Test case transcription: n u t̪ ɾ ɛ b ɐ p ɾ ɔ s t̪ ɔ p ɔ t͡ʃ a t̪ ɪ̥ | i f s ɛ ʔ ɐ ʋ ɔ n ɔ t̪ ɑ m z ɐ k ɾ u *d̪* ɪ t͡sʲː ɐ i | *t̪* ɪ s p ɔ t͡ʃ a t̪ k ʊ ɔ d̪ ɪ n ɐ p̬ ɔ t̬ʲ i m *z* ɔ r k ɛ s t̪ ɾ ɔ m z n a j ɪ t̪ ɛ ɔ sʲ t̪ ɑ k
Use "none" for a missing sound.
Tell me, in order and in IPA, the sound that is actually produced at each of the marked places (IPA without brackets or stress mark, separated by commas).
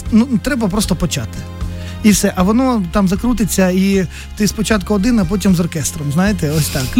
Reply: t̪, t̪, z